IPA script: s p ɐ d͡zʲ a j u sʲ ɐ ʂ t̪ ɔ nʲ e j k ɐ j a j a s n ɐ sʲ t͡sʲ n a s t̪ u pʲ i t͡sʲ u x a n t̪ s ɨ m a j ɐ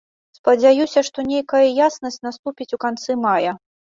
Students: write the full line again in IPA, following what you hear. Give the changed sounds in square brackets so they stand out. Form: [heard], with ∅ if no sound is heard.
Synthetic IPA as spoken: s p ɐ d͡zʲ a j u sʲ ɐ ʂ t̪ ɔ nʲ e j k ɐ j [ɐ] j a s n ɐ sʲ t͡sʲ n a s t̪ u pʲ i t͡sʲ u [k] a n t̪ s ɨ m a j ɐ